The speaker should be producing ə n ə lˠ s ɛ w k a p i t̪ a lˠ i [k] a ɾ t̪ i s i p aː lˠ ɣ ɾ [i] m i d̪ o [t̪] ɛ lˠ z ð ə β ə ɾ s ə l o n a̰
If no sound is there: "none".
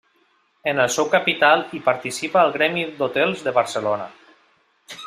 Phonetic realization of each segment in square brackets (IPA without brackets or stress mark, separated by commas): p, ɛ, t̪